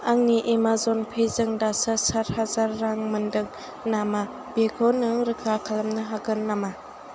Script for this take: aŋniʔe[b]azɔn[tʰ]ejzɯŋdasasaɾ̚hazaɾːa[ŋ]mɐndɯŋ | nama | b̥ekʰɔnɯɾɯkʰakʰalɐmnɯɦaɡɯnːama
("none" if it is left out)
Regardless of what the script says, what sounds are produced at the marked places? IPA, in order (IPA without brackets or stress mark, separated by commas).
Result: m, pʰ, ŋ